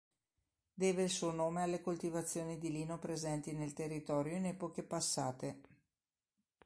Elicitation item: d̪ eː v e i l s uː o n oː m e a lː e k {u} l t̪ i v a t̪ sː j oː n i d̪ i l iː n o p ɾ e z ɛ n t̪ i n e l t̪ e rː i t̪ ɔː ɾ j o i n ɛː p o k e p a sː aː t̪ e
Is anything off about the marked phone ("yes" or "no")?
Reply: yes